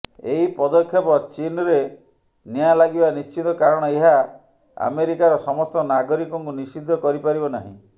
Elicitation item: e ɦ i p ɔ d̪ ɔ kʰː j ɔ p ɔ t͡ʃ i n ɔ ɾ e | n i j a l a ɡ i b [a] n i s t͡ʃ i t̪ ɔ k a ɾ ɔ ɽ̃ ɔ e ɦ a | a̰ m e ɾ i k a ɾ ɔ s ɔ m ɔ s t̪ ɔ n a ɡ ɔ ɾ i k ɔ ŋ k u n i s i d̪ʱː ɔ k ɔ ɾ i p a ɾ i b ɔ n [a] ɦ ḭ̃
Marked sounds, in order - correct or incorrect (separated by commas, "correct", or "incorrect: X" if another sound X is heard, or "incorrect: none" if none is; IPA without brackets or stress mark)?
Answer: correct, correct